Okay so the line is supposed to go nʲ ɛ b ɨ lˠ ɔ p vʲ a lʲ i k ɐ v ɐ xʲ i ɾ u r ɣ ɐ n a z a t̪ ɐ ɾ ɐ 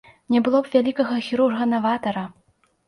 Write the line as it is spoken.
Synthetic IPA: nʲ ɛ b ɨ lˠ ɔ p vʲ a lʲ i k ɐ ɣ ɐ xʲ i ɾ u r ɣ ɐ n a v a t̪ ɐ ɾ ɐ